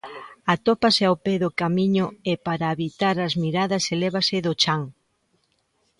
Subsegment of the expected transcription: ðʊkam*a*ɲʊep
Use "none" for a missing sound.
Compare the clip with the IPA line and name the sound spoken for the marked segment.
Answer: i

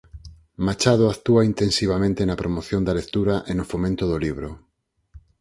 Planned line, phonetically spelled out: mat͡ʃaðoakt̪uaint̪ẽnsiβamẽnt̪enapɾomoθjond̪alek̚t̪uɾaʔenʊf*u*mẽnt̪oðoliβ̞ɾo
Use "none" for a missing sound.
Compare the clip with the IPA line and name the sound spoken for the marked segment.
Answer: o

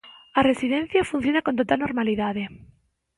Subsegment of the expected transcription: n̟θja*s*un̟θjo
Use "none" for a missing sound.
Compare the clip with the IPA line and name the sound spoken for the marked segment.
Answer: f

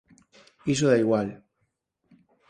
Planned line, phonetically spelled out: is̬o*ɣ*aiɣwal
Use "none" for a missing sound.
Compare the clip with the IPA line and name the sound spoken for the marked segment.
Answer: ð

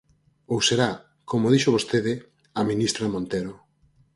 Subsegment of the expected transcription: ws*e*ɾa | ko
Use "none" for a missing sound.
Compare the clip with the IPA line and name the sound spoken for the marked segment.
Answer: e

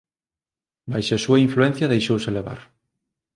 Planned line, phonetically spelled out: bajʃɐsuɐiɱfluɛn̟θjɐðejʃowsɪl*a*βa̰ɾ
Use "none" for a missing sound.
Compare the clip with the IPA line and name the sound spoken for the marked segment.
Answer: e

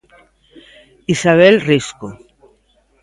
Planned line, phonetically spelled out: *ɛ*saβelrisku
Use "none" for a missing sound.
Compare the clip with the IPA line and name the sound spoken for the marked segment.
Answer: i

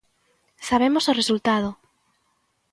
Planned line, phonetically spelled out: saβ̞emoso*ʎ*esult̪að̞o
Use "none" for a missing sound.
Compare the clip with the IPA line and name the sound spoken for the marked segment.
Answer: r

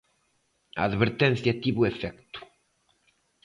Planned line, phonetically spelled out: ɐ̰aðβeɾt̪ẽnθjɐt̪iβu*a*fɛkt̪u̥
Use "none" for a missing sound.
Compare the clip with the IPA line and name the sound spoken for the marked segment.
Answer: e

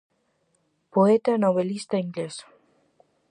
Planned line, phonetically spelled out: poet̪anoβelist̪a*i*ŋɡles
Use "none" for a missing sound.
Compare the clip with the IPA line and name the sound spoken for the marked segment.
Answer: i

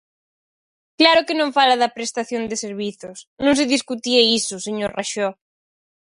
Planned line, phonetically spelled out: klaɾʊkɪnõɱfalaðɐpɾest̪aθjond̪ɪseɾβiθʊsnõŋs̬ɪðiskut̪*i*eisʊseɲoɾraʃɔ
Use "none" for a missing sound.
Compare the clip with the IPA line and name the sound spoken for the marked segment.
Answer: i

